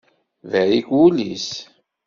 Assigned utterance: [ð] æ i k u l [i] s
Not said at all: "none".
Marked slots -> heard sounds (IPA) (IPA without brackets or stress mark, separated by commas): v, i